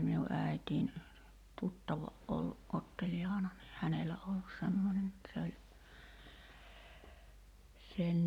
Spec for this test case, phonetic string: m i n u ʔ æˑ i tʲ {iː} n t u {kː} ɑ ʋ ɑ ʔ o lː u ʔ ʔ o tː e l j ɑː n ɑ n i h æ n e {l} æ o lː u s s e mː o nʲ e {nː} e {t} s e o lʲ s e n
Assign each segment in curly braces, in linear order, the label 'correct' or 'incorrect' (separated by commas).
correct, incorrect, correct, incorrect, correct